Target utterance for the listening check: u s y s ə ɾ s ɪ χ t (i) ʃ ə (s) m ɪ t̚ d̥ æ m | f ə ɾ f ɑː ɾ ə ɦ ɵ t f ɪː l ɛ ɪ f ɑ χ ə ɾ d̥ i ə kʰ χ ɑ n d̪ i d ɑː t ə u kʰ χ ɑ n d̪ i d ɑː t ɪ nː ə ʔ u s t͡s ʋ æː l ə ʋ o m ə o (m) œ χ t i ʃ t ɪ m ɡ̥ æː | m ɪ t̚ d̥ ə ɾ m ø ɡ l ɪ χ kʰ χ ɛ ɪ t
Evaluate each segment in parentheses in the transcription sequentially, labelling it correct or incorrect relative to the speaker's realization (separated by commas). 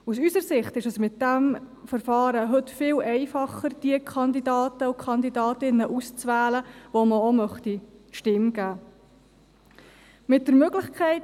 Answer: incorrect, correct, correct